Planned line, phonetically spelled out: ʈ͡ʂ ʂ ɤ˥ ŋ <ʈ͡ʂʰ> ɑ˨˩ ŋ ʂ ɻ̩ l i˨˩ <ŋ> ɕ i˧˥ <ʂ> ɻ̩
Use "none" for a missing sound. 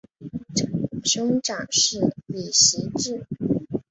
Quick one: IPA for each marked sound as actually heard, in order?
ʈ͡ʂ, none, ʈ͡ʂ

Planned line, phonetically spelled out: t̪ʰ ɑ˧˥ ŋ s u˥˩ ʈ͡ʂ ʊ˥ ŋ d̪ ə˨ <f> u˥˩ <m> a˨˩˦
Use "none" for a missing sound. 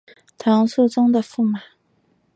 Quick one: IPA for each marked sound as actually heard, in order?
f, m

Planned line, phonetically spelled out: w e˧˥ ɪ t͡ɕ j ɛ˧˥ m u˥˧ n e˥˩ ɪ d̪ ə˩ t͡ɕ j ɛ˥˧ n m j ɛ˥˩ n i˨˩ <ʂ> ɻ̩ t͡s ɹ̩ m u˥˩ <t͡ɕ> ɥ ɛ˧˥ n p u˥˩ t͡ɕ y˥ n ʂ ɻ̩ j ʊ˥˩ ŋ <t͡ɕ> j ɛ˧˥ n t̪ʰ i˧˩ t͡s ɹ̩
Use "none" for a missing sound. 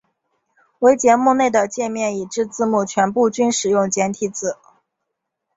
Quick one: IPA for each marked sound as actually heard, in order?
ʈ͡ʂ, t͡ɕʰ, t͡ɕ

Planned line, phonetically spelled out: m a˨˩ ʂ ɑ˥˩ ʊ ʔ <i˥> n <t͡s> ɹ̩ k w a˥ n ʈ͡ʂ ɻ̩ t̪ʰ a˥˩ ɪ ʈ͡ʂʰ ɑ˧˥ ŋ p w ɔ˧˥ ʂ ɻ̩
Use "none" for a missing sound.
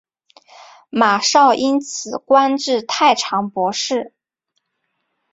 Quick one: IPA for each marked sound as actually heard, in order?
i˥, t͡sʰ

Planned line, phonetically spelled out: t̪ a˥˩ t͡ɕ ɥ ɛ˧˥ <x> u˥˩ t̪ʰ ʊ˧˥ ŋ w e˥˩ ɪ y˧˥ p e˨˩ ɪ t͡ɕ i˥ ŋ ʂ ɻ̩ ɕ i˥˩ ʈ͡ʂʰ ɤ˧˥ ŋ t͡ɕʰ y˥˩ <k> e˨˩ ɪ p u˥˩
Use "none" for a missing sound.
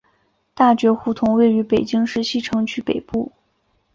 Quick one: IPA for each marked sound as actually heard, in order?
x, p

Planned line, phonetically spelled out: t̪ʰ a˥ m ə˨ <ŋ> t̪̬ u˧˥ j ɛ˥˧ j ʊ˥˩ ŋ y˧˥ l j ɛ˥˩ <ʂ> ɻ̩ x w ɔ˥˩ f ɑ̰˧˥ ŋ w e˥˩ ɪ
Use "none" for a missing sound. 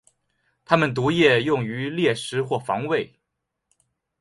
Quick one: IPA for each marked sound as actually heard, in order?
n, ʂ

